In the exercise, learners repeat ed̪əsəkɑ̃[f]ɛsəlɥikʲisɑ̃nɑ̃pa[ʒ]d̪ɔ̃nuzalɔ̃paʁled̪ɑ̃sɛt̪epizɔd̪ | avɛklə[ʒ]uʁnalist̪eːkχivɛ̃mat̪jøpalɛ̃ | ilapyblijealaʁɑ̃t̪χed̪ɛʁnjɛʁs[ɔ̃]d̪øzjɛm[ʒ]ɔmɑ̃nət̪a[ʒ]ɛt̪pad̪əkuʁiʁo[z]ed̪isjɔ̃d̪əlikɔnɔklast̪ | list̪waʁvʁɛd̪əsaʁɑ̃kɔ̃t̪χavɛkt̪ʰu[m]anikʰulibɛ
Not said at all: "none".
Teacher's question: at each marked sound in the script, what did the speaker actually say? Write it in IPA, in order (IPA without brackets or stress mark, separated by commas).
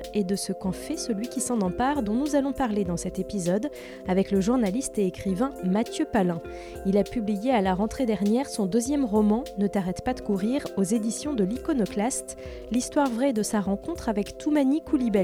f, ʁ, ʒ, ɔ̃, ʁ, ʁ, z, m